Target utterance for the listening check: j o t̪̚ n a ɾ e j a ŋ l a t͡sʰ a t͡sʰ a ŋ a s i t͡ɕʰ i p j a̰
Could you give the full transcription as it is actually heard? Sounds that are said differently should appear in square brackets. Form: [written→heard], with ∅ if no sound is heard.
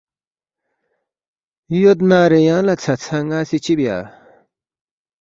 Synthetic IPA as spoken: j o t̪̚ n a ɾ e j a ŋ l a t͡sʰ a t͡sʰ a ŋ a s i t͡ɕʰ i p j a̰